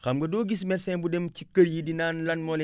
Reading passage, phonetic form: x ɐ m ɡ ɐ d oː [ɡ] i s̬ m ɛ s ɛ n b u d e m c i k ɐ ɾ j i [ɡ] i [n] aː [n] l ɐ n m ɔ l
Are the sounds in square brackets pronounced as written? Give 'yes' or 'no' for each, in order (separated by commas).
yes, no, yes, yes